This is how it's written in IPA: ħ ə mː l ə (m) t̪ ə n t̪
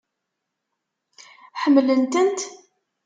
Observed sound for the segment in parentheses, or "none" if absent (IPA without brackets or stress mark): n